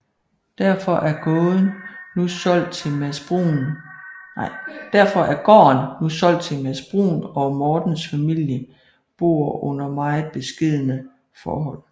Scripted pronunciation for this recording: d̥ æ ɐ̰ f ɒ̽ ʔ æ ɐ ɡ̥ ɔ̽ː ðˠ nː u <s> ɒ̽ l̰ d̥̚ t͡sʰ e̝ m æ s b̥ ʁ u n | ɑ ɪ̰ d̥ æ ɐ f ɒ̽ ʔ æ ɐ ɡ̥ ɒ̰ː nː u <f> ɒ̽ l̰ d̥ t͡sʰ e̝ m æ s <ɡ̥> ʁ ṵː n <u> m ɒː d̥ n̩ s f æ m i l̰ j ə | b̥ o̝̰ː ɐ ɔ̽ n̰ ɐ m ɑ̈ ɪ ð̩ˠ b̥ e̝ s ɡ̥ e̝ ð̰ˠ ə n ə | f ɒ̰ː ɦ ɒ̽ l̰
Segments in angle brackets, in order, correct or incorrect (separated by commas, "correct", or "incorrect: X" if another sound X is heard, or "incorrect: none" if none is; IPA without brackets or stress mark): correct, incorrect: s, incorrect: b̥, incorrect: ɒ